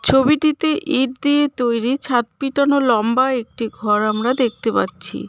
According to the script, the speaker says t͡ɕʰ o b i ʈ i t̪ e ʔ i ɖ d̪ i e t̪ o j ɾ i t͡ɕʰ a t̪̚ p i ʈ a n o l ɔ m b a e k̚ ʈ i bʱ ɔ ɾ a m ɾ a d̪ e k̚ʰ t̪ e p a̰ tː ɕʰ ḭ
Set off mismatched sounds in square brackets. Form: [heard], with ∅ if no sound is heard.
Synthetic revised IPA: t͡ɕʰ o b i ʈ i t̪ e ʔ i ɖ d̪ i e t̪ o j ɾ i t͡ɕʰ a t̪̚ p i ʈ a n o l ɔ m b a e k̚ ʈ i [ɡʱ] ɔ ɾ a m ɾ a d̪ e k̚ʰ t̪ e p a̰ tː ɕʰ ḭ